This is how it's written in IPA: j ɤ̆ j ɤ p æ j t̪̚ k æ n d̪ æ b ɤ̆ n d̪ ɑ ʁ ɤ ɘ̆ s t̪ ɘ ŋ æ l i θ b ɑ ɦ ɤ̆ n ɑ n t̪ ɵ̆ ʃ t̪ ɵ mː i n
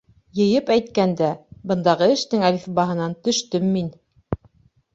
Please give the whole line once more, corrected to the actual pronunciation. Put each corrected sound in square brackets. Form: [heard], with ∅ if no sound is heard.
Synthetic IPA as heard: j ɤ̆ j ɤ p æ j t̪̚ k æ n d̪ æ b ɤ̆ n d̪ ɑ ʁ ɤ ɘ̆ [ʃ] t̪ ɘ ŋ æ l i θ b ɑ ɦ ɤ̆ n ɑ n t̪ ɵ̆ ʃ t̪ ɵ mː i n